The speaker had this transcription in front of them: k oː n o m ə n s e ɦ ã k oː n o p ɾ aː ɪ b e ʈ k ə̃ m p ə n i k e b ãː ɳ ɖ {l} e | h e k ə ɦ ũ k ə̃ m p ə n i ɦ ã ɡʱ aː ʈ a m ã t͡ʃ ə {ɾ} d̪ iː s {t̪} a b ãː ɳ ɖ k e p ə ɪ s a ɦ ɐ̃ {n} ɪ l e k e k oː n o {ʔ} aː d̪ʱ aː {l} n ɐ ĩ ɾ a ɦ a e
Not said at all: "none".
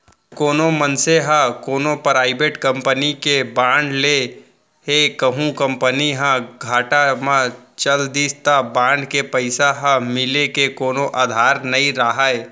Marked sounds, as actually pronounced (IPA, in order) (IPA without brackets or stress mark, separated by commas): l, l, t̪, m, ʔ, ɾ